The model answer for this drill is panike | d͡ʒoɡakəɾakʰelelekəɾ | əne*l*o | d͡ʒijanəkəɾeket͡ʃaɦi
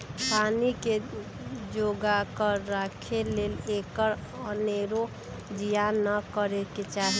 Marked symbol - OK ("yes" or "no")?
no